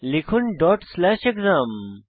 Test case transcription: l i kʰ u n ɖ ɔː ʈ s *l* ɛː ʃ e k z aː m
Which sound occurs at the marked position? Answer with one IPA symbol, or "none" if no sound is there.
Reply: l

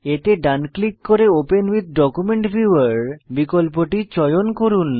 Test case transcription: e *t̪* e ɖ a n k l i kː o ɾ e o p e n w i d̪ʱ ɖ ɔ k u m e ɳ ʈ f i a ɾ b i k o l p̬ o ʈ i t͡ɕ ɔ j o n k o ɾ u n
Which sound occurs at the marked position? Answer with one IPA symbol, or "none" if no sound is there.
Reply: t̪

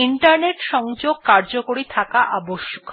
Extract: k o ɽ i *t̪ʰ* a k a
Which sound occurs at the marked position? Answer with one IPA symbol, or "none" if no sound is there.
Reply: t̪ʰ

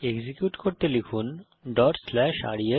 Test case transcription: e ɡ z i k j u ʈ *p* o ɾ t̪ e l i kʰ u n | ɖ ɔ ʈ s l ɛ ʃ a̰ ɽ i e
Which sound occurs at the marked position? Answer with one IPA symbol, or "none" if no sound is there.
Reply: k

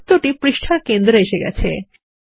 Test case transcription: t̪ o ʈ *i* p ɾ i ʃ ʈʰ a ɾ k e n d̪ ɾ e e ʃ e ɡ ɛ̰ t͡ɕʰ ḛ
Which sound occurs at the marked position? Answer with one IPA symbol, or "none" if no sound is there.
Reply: i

